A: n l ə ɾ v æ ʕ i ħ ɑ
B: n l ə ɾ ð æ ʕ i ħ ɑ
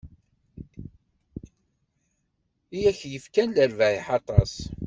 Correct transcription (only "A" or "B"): A